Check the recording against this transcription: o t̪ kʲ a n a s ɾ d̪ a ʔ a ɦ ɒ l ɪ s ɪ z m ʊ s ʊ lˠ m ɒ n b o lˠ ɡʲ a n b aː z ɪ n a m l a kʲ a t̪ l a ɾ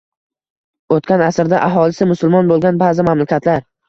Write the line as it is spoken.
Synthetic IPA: o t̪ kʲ a n a s ɾ d̪ a ʔ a ɦ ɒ l ɪ s ɪ m ʊ s ʊ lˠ m ɒ n b o lˠ ɡʲ a n b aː z ɪ m a m l a kʲ a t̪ l a ɾ